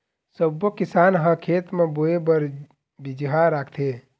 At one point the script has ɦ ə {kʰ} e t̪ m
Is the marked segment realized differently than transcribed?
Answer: no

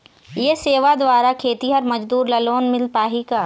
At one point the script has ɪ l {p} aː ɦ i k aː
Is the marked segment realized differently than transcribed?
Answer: no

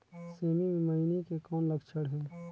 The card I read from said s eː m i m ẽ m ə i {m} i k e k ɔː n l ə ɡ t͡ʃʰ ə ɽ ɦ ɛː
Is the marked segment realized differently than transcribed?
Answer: yes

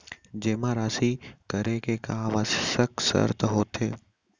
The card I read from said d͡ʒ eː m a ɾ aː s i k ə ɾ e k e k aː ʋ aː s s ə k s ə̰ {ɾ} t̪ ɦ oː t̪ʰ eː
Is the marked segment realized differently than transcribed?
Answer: no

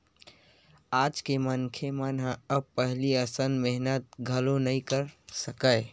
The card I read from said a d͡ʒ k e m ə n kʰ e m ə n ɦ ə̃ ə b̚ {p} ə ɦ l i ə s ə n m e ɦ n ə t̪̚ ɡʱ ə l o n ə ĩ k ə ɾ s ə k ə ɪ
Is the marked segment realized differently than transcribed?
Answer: no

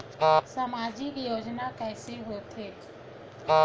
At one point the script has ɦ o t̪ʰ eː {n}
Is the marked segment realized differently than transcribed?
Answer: yes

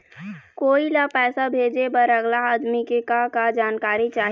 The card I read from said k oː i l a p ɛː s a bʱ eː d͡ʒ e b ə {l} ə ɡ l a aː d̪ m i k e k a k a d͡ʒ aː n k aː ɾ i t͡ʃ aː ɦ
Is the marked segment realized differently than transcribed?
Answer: yes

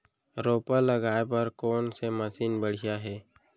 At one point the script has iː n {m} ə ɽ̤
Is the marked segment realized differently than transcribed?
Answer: yes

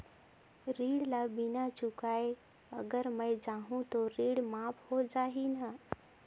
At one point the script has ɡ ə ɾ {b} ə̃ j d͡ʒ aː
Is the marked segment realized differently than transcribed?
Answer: yes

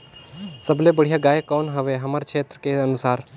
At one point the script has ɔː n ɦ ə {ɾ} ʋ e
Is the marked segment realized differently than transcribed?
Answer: yes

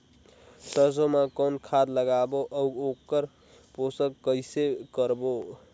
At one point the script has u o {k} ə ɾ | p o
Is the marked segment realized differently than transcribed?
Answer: no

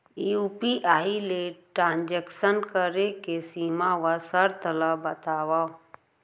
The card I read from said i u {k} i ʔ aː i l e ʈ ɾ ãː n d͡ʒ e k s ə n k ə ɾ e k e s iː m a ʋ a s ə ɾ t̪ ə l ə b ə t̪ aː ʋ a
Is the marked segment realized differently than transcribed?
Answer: yes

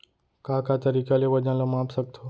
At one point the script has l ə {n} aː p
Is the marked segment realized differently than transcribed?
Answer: yes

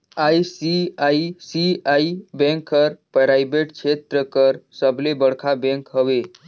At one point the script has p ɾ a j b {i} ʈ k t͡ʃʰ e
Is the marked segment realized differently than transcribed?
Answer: yes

